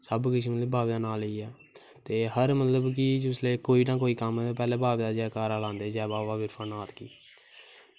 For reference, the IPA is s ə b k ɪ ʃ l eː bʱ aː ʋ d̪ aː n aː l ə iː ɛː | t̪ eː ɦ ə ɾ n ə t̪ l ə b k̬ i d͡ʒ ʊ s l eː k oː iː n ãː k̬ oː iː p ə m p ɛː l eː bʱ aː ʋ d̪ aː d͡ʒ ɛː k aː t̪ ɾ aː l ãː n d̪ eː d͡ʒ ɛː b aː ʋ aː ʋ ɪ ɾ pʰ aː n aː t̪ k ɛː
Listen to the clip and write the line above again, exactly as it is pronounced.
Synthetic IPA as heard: s ə b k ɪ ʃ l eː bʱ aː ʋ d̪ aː n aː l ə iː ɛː | t̪ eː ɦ ə ɾ m ə t̪ l ə b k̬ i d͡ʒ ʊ s l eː k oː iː n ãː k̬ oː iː k ə m p ɛː l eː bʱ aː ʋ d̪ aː d͡ʒ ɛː k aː ɾ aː l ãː n d̪ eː d͡ʒ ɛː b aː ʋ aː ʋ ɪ ɾ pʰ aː n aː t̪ k iː